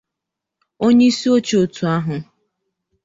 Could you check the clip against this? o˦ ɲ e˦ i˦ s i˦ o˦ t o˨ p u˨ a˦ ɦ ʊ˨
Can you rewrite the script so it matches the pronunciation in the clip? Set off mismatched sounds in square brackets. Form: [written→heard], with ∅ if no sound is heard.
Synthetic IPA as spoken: o˦ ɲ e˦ i˦ s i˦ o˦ [t→t͡ʃ] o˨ [p→t] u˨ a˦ ɦ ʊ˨

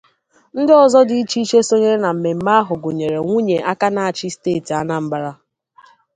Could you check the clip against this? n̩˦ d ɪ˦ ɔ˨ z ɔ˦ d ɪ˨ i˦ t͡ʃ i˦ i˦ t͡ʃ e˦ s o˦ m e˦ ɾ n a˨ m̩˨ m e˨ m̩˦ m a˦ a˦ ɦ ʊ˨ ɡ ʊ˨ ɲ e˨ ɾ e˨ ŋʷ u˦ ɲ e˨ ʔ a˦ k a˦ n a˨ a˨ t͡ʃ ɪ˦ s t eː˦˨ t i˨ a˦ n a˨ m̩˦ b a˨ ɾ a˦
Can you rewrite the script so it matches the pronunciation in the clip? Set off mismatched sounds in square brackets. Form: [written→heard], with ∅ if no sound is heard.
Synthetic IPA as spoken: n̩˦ d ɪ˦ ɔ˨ z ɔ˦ d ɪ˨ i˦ t͡ʃ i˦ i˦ t͡ʃ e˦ s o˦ [m→ɲ] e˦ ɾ n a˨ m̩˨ m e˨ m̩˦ m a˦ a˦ ɦ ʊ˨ ɡ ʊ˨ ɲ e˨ ɾ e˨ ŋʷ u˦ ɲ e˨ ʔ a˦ k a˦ n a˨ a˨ t͡ʃ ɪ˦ s t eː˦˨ t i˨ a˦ n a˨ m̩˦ b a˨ ɾ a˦

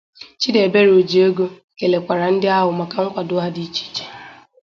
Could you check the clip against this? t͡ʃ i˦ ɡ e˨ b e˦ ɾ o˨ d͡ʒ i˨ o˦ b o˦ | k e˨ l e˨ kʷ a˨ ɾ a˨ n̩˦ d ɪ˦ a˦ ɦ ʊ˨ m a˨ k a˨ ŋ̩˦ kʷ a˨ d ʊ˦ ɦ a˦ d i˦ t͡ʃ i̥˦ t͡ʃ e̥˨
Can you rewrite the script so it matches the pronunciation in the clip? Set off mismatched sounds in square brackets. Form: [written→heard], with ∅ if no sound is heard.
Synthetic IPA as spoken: t͡ʃ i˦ [ɡ→d] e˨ b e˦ ɾ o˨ d͡ʒ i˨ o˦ [b→ɡ] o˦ | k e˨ l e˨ kʷ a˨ ɾ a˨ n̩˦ d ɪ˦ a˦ ɦ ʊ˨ m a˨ k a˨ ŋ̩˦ kʷ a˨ d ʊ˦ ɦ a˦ d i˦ t͡ʃ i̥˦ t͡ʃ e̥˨

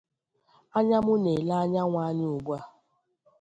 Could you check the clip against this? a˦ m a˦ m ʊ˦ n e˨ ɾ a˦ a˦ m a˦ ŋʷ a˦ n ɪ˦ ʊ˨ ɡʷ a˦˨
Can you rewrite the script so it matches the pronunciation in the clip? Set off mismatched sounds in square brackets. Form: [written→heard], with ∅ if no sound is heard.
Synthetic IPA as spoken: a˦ [m→ɲ] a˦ m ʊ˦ n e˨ [ɾ→l] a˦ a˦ [m→ɲ] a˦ ŋʷ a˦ [n→ɲ] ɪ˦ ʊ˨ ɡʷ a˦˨

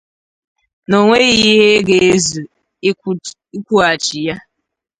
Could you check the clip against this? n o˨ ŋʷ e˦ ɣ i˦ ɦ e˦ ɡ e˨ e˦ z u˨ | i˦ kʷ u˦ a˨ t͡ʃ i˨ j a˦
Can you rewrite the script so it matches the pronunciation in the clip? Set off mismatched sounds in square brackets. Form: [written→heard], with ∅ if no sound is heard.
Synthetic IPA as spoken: n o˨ ŋʷ e˦ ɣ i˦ ɦ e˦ ɡ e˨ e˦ z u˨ | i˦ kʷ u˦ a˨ t͡ʃ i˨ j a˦

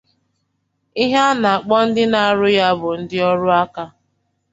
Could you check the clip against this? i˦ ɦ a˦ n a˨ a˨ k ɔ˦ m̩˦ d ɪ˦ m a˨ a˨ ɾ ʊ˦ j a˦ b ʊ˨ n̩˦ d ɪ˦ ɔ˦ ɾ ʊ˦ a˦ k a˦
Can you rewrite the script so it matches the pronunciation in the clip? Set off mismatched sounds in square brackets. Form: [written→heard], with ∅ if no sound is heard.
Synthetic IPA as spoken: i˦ ɦ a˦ n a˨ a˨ [k→k͡p] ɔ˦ [m̩˦→n̩˦] d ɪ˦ [m→n] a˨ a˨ ɾ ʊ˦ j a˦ b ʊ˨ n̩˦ d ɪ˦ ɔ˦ ɾ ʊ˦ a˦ k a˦

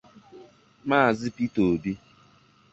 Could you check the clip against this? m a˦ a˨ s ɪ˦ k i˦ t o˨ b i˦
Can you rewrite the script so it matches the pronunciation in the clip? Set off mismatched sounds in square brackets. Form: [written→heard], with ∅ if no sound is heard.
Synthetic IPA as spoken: m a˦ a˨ [s→z] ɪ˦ [k→p] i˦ t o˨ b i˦

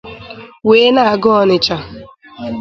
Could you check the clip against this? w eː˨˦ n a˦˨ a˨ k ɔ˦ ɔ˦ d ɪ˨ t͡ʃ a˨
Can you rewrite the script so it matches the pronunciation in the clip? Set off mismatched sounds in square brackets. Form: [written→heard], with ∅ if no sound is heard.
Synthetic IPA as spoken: w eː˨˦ n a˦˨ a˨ [k→ɡ] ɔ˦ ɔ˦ [d→n] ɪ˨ t͡ʃ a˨

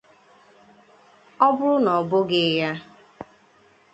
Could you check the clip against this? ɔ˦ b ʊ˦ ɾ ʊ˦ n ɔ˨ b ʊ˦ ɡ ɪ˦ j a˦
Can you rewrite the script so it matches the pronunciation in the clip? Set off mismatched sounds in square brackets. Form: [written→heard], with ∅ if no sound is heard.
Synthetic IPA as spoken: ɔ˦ b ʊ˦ ɾ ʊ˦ n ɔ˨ b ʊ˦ ɡ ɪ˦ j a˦

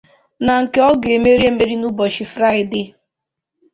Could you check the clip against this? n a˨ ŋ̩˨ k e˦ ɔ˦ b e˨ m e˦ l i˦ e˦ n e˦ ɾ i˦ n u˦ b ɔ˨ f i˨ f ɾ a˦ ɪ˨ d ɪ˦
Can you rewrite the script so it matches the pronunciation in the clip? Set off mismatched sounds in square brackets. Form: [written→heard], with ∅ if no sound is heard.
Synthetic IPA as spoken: n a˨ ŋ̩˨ k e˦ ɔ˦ [b→ɡ] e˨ m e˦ [l→ɾ] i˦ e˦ [n→m] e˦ ɾ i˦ n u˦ b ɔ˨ [f→ʃ] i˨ f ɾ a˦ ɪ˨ d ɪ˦

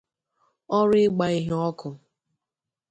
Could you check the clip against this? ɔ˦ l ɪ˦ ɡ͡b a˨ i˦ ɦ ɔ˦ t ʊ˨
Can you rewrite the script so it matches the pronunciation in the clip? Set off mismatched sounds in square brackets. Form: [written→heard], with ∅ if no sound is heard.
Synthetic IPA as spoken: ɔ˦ [l→ɾ] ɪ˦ ɡ͡b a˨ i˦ ɦ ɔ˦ [t→k] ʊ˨

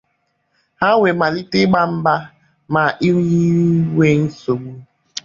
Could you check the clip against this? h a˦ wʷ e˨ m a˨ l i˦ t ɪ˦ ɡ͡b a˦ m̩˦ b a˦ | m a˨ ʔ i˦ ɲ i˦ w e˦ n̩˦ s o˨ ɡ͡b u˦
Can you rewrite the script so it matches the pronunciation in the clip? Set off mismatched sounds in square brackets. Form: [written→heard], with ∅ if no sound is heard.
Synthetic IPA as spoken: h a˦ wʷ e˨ m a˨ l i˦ t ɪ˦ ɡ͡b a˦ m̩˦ b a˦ | m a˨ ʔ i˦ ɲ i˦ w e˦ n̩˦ s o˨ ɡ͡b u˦

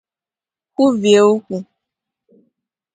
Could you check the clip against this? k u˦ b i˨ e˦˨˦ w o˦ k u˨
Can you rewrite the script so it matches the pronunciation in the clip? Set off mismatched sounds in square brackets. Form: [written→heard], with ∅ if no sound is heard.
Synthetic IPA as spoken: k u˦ [b→v] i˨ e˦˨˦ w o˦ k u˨

